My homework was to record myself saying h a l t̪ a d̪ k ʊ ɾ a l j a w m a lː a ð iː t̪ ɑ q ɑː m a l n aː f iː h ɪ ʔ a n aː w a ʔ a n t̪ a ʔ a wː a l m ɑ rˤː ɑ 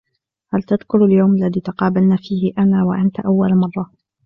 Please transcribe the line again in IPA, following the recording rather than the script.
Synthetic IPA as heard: h a l t̪ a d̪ k ʊ ɾ a l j a w m a lː a ð iː t̪ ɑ q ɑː b a l n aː f iː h ɪ ʔ a n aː w a ʔ a n t̪ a ʔ a wː a l m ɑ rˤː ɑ